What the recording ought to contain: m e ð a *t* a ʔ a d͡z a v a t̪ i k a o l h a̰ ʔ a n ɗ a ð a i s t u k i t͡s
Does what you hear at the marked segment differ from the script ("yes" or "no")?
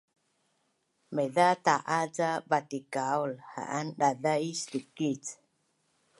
no